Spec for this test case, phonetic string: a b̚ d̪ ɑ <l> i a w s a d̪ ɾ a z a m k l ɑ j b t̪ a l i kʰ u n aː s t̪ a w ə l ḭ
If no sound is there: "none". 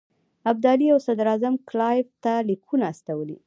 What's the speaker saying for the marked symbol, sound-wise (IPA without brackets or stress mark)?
l